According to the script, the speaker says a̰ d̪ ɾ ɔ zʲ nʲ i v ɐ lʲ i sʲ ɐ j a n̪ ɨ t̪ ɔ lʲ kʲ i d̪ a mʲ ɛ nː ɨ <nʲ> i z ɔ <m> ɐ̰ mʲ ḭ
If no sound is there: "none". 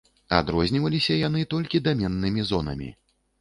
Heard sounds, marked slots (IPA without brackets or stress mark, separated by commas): mʲ, n